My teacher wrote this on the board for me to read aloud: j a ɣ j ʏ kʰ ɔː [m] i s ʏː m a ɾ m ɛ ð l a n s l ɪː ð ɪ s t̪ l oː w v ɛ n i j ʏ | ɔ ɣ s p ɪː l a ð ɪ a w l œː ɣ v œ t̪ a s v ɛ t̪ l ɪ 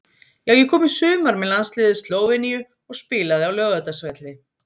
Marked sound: correct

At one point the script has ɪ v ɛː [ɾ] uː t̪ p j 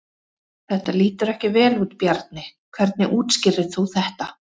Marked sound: incorrect: l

